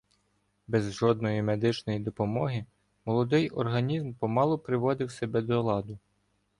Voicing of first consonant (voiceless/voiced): voiced